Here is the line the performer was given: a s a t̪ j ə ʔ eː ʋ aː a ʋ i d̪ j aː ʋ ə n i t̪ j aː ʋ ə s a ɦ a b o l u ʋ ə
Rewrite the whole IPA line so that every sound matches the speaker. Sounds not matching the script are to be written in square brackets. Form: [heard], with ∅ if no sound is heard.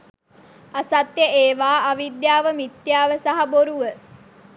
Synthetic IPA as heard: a s a t̪ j ə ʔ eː ʋ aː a ʋ i d̪ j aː ʋ ə [m] i t̪ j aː ʋ ə s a ɦ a b o [ɾ] u ʋ ə